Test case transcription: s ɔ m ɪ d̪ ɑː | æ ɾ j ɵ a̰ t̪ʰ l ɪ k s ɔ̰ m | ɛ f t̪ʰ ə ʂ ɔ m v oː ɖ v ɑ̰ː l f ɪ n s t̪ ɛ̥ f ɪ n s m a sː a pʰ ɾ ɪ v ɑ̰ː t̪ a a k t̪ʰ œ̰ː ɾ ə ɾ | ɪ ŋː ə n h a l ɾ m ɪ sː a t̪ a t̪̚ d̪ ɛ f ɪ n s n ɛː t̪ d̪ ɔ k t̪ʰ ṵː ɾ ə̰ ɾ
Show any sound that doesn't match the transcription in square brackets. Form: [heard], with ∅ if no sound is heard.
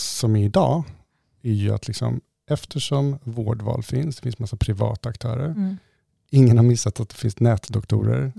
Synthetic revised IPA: s ɔ m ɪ d̪ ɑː | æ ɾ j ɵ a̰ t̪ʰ l ɪ k s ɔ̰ m | ɛ f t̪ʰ ə ʂ ɔ m v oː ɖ v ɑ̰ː l f ɪ n s [d̪] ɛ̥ f ɪ n s m a sː a pʰ ɾ ɪ v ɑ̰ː t̪ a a k t̪ʰ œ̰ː ɾ ə ɾ | ɪ ŋː ə n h a [∅] ɾ m ɪ sː a t̪ a t̪̚ d̪ ɛ f ɪ n s n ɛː t̪ d̪ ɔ k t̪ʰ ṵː ɾ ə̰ ɾ